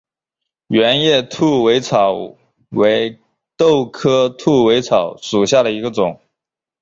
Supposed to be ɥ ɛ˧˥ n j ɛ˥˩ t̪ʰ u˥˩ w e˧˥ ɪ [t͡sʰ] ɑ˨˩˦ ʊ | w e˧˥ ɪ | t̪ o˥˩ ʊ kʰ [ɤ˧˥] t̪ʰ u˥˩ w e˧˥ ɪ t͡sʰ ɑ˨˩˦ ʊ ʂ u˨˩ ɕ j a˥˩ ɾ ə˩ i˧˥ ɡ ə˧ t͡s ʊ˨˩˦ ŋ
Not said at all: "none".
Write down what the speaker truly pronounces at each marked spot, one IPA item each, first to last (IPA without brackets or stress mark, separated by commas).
t͡sʰ, ɤ˥